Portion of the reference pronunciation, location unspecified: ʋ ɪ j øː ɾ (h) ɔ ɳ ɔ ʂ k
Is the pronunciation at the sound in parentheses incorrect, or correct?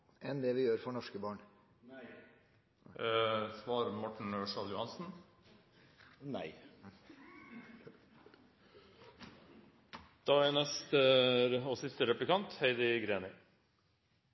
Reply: incorrect